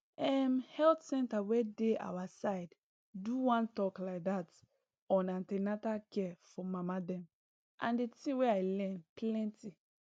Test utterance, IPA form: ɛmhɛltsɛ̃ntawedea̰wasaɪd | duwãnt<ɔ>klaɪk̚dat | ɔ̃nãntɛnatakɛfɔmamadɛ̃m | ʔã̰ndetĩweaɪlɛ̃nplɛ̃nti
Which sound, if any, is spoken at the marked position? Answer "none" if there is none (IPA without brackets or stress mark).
ɔ